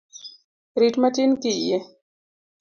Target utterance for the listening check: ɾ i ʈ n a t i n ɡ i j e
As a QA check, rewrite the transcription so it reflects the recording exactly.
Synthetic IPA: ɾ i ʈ m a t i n k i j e

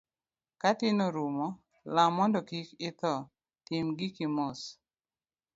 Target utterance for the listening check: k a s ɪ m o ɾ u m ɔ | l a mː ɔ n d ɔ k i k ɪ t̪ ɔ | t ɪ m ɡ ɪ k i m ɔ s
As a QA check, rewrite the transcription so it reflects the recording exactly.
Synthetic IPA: k a t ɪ n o ɾ u m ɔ | l a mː ɔ n d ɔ k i k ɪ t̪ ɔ | t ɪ m ɡ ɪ k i m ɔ s

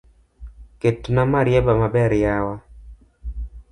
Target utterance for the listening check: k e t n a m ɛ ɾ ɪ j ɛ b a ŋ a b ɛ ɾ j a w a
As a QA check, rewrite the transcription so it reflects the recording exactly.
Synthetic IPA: k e t n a m a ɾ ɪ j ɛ b a m a b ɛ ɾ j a w a

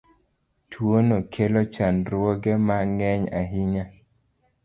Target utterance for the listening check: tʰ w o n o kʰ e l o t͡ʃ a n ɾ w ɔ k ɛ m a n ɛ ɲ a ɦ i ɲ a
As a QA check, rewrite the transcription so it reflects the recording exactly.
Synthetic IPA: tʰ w o n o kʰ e l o t͡ʃ a n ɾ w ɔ ɡ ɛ m a ŋ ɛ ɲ a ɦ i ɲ a

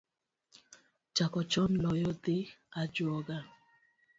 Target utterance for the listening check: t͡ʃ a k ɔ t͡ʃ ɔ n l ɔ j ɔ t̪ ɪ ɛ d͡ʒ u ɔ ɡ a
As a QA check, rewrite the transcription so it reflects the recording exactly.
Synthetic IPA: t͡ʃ a k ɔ t͡ʃ ɔ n l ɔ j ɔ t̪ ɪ a d͡ʒ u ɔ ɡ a

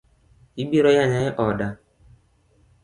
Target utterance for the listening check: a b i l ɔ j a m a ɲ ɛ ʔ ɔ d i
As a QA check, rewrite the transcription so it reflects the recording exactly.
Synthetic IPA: i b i ɾ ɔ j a ɲ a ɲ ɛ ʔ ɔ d a

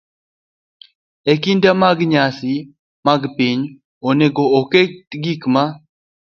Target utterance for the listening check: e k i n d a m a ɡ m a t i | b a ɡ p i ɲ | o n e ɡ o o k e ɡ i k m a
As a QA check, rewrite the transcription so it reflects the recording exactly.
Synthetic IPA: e k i n d a m a ɡ ɲ a s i | m a ɡ p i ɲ | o n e ɡ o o k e ɡ i k m a

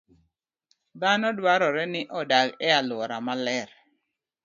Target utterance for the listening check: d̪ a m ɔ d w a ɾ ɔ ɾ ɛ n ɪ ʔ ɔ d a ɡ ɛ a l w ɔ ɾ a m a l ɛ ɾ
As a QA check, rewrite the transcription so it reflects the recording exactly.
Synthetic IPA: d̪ a n ɔ d w a ɾ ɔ ɾ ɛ n ɪ ʔ ɔ d a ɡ ɛ a l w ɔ ɾ a m a l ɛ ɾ

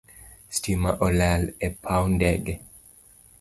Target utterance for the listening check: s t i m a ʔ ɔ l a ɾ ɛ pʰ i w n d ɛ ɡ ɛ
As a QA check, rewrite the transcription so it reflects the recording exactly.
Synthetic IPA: s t i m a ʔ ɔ l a l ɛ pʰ a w n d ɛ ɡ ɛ

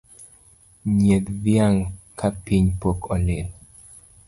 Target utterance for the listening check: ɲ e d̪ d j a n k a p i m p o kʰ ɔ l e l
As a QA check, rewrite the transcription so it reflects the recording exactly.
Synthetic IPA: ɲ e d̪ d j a ŋ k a p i ɲ p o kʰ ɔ l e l

